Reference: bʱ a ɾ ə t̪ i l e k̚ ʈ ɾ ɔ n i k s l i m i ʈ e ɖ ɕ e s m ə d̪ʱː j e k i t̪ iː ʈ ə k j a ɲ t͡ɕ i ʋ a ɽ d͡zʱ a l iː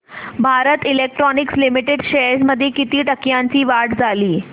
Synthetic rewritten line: bʱ a ɾ ə t̪ i l e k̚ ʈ ɾ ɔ n i k s l i m i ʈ e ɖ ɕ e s m ə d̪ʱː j e k i t̪ iː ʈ ə k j a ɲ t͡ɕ iː ʋ a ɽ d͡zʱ a l iː